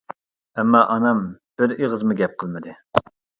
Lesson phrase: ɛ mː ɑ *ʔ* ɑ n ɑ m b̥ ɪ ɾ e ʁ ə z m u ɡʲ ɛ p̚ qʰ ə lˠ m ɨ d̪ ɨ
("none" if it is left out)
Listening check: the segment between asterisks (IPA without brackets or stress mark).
ʔ